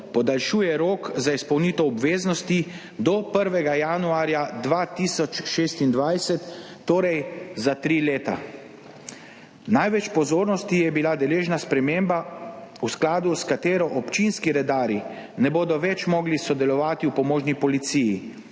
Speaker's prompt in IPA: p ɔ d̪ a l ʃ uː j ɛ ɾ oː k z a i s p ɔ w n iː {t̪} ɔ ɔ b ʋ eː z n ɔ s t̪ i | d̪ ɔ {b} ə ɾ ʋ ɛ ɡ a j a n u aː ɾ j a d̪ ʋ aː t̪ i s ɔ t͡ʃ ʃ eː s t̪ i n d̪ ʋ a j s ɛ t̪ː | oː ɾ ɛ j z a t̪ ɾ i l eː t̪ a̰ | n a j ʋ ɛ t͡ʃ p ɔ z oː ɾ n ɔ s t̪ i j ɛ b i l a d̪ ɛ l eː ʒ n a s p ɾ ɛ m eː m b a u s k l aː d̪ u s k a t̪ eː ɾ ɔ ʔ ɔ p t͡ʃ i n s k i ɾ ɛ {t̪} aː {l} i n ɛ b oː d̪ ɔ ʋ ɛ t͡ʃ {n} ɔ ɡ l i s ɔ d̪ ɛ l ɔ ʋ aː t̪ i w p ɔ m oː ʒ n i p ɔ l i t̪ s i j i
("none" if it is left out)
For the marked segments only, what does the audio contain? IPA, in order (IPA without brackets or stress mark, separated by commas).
t̪, p, d̪, ɾ, m